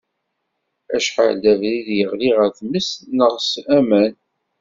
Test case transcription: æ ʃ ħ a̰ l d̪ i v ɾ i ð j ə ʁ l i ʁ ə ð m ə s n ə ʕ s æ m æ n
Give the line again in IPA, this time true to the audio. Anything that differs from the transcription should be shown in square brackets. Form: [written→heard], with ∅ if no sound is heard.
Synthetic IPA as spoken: æ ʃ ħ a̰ l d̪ [i→æ] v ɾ i ð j ə ʁ l i ʁ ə [ð→θ] m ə s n ə [ʕ→ʁ] s æ m æ n